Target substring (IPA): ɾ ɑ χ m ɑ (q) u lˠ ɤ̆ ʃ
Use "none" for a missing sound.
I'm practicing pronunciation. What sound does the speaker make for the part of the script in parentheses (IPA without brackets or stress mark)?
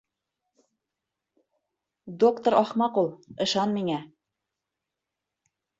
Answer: q